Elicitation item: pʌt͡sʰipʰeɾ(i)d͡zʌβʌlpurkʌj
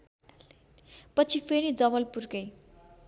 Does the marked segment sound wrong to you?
no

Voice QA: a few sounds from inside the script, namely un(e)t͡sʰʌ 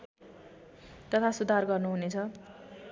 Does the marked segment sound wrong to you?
no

